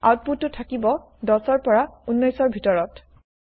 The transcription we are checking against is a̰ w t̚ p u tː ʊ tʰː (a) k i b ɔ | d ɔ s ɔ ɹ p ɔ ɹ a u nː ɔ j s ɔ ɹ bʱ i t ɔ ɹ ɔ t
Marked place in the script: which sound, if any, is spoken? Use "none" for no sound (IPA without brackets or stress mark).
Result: a